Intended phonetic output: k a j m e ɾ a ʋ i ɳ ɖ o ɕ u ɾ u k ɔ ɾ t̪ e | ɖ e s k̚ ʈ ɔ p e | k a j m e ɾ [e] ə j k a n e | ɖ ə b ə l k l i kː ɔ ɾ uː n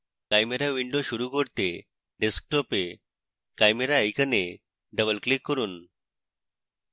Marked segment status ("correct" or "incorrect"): incorrect